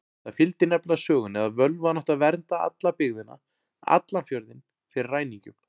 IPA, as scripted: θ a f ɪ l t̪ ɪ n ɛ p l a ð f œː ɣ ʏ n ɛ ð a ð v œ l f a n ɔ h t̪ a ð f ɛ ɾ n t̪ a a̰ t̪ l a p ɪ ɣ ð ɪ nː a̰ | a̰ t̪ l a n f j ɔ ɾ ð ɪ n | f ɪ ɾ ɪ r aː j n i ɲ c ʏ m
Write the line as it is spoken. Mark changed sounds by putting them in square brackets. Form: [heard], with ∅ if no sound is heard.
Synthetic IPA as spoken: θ a f ɪ l t̪ ɪ n ɛ p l a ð [s] œː ɣ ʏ n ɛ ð a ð v œ l [v] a n ɔ h t̪ a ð [v] ɛ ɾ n t̪ a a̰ t̪ l a p ɪ ɣ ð ɪ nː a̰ | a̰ t̪ l a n f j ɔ ɾ ð ɪ n | f ɪ ɾ ɪ r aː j n i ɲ c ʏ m